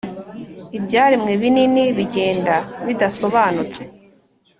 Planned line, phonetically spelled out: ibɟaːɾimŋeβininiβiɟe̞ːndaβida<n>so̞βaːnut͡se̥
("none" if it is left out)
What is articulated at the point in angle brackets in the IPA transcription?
none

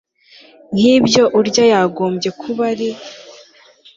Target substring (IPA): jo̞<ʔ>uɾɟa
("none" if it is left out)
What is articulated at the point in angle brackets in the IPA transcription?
ʔ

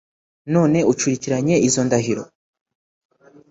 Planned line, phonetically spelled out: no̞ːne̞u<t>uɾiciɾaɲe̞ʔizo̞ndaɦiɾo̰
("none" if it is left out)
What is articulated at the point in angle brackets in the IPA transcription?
t͡ʃ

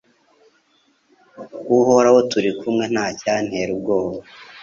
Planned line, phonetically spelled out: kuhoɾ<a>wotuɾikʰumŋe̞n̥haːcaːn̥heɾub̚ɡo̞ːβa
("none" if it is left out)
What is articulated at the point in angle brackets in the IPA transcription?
a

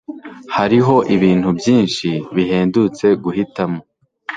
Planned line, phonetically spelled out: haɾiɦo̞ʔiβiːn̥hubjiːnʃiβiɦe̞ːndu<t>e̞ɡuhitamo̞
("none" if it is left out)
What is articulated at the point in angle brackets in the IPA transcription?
t͡s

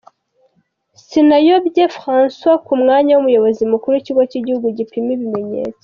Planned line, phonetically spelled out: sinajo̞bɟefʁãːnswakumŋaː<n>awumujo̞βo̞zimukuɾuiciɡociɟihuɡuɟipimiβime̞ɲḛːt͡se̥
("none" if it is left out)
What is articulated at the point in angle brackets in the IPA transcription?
ɲ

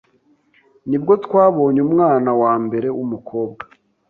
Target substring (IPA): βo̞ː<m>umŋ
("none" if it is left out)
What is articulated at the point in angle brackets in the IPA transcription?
ɲ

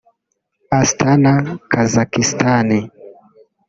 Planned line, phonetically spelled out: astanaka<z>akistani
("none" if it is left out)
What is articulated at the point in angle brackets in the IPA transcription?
z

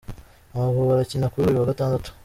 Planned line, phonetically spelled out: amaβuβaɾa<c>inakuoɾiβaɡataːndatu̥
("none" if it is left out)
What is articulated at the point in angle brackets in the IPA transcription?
c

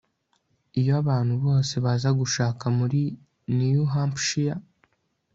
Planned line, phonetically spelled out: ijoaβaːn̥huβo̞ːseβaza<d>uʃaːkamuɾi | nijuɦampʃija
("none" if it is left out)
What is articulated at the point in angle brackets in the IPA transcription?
ɡ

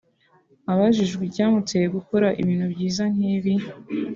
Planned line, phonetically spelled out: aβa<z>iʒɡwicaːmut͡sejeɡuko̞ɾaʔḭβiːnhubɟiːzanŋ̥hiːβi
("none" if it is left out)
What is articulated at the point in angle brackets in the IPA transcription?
ʒ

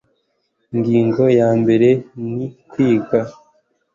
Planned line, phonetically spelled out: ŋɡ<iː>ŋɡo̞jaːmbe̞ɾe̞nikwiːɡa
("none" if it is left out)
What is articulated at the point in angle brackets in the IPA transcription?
iː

